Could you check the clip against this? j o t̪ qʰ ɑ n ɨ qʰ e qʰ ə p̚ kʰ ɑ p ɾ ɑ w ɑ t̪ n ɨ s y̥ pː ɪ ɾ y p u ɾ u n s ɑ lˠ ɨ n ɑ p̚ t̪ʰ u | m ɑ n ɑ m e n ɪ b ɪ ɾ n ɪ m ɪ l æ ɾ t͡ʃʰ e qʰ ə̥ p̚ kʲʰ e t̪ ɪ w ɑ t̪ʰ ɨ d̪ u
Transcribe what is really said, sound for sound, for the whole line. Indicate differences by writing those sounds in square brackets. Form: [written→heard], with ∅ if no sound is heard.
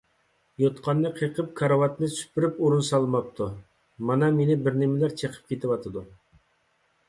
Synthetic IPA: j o t̪ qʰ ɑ [n→nː] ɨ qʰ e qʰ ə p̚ kʰ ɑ [p→∅] ɾ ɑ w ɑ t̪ n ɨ s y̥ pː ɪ ɾ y p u ɾ u n s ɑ lˠ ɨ [n→m] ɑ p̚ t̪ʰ u | m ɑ n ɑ m e n ɪ b ɪ ɾ n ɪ m ɪ l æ ɾ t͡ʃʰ e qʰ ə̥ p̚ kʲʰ e t̪ ɪ w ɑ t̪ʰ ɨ d̪ u